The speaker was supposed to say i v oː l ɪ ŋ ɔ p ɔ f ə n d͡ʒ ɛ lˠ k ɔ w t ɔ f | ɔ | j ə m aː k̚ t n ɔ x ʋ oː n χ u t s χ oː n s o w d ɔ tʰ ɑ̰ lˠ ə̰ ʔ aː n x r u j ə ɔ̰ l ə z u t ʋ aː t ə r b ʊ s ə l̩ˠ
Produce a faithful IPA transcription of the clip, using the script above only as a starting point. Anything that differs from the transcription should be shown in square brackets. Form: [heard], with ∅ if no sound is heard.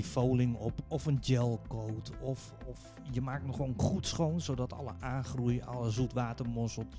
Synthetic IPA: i [f] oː l ɪ ŋ ɔ p ɔ f ə n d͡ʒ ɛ lˠ k [o] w t ɔ f | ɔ | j ə m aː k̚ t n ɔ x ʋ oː n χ u t s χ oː n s o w d ɔ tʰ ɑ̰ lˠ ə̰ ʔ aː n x r u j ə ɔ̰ l ə z u t ʋ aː t ə r [m] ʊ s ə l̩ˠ